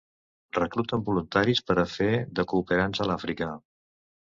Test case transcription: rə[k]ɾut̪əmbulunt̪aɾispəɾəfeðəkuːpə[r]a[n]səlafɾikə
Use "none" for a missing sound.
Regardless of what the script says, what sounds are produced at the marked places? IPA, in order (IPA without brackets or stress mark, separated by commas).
k, ɾ, n